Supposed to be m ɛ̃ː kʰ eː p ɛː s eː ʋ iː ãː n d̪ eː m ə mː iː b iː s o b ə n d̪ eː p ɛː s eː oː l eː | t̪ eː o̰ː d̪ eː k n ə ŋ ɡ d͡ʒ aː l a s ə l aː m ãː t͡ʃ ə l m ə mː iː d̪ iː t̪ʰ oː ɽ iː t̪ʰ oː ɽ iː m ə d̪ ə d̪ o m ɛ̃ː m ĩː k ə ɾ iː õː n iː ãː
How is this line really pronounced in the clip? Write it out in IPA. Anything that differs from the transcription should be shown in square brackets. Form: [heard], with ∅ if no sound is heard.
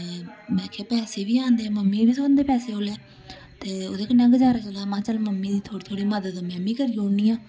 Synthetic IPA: m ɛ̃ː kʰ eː p ɛː s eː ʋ iː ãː n d̪ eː m ə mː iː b iː s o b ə n d̪ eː p ɛː s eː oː l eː | t̪ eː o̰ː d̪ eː k n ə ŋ ɡ d͡ʒ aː [ɾ] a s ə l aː m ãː t͡ʃ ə l m ə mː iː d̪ iː t̪ʰ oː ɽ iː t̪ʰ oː ɽ iː m ə d̪ ə d̪ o m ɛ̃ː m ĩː k ə ɾ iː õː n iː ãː